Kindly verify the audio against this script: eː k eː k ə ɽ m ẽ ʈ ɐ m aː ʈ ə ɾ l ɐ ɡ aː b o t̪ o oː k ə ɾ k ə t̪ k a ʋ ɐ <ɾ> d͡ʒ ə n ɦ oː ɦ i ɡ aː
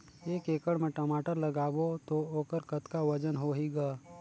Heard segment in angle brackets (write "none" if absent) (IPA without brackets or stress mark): none